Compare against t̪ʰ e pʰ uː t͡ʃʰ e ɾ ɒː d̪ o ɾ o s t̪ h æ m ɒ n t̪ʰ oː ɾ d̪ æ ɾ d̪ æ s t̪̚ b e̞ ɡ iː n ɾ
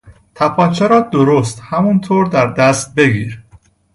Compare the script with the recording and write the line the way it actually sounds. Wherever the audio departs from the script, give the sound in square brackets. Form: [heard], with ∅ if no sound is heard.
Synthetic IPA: t̪ʰ [æ] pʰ [ɒː] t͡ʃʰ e ɾ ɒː d̪ o ɾ o s t̪ h æ m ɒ n t̪ʰ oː ɾ d̪ æ ɾ d̪ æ s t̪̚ b e̞ ɡ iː [∅] ɾ